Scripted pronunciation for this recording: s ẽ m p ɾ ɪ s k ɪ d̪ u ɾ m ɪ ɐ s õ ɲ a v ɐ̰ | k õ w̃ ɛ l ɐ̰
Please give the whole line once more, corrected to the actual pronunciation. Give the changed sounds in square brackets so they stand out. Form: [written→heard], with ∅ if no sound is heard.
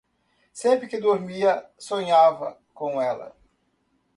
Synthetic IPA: s ẽ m p ɾ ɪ [s→∅] k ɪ d̪ [u→o] ɾ m [ɪ→i] ɐ s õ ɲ a v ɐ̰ | k õ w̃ ɛ l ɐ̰